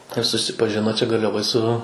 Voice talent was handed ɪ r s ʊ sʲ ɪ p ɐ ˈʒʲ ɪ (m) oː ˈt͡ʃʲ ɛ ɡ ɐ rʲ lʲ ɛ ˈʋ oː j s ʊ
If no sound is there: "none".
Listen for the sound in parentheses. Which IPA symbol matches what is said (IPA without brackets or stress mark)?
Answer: n